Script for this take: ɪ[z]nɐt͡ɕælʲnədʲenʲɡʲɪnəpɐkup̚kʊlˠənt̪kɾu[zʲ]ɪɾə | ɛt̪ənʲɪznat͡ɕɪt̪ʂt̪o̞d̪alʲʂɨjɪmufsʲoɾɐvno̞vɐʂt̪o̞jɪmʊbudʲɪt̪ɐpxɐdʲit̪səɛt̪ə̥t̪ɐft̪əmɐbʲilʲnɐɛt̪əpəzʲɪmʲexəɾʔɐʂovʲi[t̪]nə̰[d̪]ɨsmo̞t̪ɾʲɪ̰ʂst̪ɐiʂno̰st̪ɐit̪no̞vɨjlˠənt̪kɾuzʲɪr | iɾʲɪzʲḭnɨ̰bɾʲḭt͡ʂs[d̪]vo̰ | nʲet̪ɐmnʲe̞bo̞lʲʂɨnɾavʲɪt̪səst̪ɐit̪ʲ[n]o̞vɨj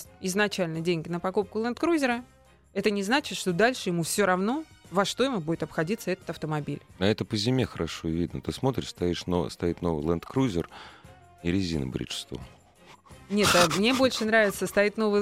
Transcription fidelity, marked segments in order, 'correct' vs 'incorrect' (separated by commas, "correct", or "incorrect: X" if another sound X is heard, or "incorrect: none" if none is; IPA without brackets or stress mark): correct, correct, incorrect: d̪, incorrect: t̪, incorrect: t̪, correct